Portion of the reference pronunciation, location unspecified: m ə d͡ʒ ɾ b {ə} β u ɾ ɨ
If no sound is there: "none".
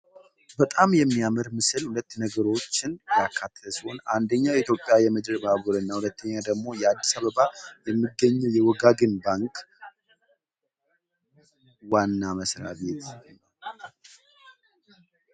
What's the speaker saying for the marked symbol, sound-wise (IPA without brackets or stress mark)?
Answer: a